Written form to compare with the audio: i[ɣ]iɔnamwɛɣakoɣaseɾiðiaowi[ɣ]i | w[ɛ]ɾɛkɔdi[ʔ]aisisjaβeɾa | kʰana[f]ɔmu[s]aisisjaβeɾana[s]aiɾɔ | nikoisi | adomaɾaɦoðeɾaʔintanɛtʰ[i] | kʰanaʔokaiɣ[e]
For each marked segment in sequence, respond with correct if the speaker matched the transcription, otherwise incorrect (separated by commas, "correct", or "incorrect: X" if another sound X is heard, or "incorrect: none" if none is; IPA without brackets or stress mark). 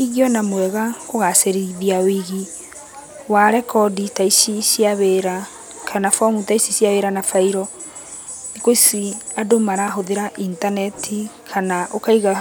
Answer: correct, correct, incorrect: a, incorrect: t, correct, incorrect: t, incorrect: f, correct, incorrect: a